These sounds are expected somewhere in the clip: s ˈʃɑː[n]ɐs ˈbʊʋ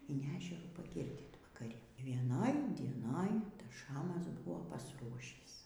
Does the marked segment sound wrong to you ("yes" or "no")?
yes